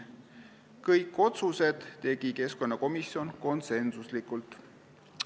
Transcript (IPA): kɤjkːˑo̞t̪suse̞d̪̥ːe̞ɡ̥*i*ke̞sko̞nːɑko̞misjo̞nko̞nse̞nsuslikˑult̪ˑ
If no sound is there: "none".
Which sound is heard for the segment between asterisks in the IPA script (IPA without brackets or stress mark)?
i